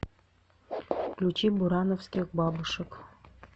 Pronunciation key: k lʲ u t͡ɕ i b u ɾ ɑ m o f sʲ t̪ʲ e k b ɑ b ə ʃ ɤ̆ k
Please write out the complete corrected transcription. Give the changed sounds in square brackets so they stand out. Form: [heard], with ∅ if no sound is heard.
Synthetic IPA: k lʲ u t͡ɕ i b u ɾ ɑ [n] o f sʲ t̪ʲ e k b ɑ b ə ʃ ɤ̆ k